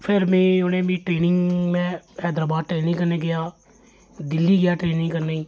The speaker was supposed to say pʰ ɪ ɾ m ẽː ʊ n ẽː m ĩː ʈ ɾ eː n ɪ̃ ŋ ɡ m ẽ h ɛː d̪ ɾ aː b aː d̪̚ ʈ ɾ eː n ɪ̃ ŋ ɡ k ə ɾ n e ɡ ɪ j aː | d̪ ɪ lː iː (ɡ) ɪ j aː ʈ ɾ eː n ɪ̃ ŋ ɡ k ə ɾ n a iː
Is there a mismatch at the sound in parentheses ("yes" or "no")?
no